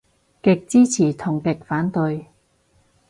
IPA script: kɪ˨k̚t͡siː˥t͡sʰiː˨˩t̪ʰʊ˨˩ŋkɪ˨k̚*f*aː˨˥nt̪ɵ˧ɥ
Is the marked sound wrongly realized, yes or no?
no